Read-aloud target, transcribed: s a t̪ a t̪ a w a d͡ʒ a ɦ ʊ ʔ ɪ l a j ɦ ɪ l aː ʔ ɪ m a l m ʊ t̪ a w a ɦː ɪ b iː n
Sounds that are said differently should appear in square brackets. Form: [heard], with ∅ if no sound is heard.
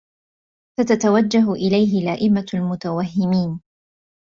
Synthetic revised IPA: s a t̪ a t̪ a w a [d͡ʒː] a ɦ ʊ ʔ ɪ l a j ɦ ɪ l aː ʔ ɪ m a l m ʊ t̪ a w a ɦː ɪ [m] iː n